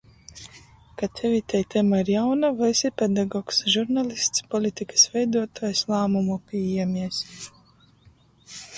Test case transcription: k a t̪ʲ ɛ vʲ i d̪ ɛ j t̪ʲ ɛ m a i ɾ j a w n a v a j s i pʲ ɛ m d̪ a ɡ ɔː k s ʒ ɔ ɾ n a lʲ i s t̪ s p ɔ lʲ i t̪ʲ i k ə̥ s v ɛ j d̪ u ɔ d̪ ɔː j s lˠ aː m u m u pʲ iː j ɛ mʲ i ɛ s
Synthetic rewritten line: k a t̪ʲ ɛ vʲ i t̪ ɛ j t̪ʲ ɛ m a i ɾ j a w n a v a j s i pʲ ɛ d̪ a ɡ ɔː k s ʒ u ɾ n a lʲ i s t̪ s p ɔ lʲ i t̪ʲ i k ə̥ s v ɛ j d̪ u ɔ t̪ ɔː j s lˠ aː m u m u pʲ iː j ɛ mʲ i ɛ s